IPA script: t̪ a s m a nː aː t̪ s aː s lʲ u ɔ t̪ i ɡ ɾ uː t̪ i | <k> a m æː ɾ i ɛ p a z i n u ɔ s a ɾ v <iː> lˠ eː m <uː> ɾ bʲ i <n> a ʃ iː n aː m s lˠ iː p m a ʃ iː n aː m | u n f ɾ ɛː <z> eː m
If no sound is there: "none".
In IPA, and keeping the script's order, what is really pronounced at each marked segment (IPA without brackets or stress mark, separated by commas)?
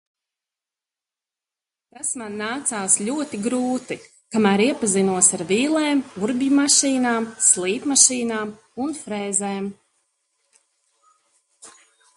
k, iː, u, m, z